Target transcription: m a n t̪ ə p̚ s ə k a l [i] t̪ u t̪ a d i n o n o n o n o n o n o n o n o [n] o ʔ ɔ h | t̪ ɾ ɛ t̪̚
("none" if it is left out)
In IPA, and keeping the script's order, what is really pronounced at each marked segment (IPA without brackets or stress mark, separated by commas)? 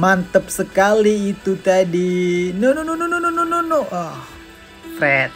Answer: iː, n